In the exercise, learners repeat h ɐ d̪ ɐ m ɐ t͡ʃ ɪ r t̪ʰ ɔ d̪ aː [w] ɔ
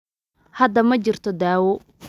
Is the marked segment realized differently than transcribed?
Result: no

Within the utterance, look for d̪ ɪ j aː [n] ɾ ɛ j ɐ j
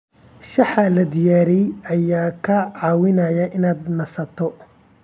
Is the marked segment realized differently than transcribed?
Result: yes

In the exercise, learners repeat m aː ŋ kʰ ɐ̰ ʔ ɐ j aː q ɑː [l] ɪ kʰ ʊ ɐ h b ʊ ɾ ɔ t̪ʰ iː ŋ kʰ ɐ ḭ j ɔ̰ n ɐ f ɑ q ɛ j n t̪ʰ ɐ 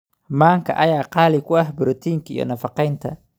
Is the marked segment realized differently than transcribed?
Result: no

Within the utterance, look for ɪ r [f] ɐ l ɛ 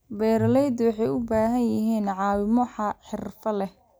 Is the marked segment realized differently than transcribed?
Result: no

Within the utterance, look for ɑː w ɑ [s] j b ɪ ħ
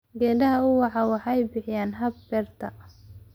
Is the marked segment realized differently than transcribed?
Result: yes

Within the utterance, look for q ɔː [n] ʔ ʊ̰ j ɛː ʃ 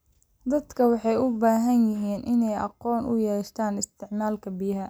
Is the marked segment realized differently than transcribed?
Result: no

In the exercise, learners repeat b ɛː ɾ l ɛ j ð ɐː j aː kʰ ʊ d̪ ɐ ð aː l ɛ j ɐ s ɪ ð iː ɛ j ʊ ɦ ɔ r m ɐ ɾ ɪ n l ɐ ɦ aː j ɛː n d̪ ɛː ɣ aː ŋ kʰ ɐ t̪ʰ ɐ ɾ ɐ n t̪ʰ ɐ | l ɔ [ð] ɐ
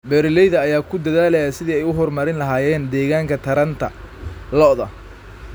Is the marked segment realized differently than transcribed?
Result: no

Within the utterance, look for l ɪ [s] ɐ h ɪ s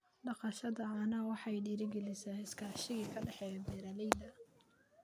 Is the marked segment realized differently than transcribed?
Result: no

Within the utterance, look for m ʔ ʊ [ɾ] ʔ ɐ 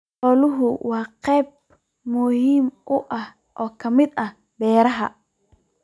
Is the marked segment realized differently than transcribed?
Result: yes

